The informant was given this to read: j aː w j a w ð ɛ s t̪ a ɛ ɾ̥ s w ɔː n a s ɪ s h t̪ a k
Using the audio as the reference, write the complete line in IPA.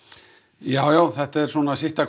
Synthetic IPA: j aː w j a w θ ɛ h t̪ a ɛ ɾ̥ s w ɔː n a s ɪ h t̪ a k